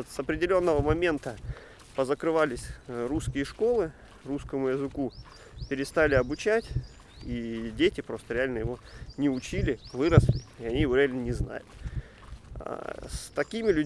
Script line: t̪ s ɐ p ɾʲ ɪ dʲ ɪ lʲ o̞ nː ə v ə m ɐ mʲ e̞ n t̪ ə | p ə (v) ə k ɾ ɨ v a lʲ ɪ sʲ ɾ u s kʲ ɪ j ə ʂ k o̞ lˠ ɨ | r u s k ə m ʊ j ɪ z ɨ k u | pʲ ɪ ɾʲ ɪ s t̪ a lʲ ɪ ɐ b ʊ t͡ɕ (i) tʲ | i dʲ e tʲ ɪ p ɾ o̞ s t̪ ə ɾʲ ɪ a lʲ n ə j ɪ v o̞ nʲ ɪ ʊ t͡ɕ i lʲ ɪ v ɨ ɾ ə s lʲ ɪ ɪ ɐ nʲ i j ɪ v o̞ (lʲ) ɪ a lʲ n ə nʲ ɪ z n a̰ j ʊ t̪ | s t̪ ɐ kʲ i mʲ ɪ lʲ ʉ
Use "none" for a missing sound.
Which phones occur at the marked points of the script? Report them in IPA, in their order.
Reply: z, æ, ɾʲ

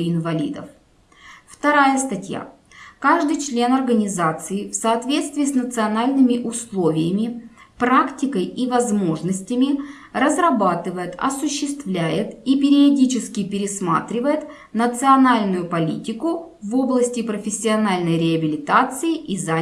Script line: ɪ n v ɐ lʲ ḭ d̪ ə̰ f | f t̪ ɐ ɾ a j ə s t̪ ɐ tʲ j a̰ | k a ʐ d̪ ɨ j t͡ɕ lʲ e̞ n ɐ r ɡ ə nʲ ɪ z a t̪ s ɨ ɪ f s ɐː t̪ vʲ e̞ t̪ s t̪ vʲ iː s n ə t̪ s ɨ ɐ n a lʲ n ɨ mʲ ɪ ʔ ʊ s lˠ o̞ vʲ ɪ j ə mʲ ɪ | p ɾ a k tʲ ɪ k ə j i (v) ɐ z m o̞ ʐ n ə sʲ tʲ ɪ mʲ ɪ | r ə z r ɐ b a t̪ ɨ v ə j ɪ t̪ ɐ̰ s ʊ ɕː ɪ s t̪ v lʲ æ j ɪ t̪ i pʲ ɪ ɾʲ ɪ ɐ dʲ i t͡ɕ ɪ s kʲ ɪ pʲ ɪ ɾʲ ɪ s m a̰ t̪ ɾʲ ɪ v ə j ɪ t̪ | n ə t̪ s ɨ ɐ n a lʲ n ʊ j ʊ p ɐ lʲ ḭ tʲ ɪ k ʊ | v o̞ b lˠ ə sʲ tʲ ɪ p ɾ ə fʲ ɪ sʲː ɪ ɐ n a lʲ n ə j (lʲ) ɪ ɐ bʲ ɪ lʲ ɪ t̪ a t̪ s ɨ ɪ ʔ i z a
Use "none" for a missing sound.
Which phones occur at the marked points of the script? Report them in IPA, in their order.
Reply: v, ɾʲ

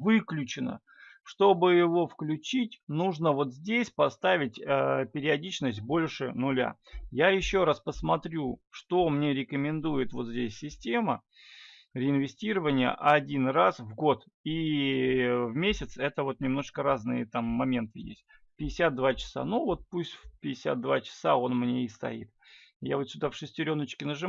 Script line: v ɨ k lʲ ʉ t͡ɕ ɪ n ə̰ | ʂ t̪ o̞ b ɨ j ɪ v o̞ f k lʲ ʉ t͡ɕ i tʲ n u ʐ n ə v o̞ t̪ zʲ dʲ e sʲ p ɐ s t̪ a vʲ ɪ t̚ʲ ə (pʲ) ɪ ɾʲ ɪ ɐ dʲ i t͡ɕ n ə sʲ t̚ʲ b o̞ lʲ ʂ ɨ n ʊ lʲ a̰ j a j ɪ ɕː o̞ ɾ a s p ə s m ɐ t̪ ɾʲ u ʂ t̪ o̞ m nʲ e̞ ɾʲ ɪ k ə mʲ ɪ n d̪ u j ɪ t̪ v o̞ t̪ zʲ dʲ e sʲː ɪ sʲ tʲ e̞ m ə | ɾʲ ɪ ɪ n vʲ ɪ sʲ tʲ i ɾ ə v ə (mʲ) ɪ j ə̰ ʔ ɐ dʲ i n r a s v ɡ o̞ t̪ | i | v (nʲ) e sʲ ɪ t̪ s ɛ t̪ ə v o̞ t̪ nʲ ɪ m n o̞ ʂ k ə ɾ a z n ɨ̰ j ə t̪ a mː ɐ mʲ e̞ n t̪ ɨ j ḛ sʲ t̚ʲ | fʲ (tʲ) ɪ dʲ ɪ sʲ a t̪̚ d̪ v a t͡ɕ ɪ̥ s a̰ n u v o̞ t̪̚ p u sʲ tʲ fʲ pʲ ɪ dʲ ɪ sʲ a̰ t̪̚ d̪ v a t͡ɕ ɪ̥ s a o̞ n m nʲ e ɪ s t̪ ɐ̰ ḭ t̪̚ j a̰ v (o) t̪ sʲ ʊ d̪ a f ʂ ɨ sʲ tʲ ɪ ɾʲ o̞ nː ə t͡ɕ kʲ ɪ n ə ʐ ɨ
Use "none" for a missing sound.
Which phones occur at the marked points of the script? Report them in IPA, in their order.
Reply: pʲ, nʲ, mʲ, pʲ, o

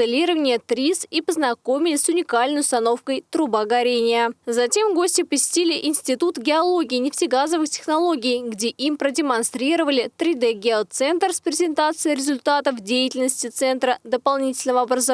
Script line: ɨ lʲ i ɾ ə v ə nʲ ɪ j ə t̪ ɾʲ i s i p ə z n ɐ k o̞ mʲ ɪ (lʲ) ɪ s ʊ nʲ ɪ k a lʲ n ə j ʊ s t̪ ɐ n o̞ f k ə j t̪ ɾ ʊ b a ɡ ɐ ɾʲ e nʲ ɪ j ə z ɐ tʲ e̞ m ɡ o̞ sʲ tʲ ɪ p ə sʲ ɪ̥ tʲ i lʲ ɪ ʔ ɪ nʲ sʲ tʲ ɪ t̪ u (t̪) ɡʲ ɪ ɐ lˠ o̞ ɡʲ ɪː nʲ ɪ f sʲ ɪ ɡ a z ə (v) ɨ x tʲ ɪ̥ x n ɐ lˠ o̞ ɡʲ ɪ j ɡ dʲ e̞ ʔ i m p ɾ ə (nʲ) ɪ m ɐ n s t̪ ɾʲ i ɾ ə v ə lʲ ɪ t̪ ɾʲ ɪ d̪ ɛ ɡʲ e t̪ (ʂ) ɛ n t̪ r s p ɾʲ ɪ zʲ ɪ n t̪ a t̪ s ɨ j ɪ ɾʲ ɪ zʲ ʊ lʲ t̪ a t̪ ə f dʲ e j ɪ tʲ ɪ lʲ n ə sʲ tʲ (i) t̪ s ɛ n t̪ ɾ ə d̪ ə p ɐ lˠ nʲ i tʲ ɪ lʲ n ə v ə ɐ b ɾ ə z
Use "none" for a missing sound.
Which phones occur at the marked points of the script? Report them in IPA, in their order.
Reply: lʲ, t̪, v, dʲ, s, ɪ

